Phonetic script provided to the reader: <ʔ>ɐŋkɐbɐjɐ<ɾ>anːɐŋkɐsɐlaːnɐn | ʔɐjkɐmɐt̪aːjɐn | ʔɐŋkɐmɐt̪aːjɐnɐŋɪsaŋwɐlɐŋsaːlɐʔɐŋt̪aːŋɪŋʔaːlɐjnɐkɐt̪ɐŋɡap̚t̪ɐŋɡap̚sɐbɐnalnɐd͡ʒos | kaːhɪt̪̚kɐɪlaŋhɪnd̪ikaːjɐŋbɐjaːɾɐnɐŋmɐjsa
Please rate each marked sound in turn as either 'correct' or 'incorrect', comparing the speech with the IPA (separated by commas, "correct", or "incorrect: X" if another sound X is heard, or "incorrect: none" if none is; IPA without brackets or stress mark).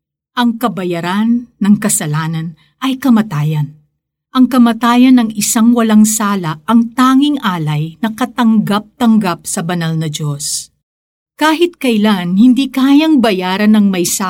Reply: correct, correct